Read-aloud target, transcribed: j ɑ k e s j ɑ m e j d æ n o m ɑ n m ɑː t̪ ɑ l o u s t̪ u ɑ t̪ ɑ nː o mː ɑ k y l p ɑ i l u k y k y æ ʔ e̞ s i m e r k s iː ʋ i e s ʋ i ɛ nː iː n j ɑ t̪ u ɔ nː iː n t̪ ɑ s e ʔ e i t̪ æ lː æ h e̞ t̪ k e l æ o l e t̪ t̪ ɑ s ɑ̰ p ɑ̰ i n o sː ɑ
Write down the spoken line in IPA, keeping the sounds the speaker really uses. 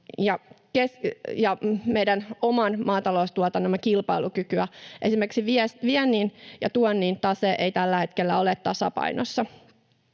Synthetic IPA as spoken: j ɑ k e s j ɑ m e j d æ n o m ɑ n m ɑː t̪ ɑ l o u s t̪ u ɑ t̪ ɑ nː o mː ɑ k i l p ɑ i l u k y k y æ ʔ e̞ s i m e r k s i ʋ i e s ʋ i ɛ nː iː n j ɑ t̪ u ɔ nː iː n t̪ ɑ s e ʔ e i t̪ æ lː æ h e̞ t̪ k e lː æ o l e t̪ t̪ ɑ s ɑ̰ p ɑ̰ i n o sː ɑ